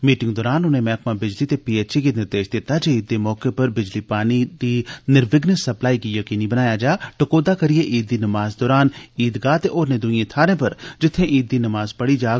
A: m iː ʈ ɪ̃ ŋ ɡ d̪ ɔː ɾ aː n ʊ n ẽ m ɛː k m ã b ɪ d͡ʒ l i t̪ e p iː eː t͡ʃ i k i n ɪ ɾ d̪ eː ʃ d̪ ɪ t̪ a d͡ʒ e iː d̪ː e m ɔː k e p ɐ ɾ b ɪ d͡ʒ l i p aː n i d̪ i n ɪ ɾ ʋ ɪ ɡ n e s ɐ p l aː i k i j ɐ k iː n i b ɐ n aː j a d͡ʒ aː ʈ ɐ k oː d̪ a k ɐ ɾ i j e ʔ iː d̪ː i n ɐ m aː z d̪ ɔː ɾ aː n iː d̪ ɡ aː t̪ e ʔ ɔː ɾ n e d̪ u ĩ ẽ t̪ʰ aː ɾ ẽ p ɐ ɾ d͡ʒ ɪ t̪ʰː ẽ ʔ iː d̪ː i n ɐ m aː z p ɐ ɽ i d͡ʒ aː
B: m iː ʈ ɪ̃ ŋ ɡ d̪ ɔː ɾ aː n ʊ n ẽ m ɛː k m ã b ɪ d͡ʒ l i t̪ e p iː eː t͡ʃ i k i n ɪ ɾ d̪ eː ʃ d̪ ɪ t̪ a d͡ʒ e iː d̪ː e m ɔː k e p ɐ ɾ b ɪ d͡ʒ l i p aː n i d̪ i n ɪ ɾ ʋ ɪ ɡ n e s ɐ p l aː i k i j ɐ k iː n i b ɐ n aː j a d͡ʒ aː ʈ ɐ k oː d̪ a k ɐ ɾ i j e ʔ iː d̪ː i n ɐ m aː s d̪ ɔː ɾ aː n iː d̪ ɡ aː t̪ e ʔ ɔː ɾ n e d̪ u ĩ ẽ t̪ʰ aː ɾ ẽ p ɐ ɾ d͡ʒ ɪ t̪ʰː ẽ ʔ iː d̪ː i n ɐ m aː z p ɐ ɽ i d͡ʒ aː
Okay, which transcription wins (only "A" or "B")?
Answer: A